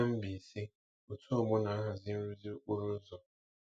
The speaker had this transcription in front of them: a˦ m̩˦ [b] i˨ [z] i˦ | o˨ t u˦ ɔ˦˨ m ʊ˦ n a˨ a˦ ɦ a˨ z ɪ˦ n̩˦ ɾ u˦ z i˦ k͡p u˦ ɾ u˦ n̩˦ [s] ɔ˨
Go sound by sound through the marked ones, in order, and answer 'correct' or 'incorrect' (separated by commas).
correct, incorrect, incorrect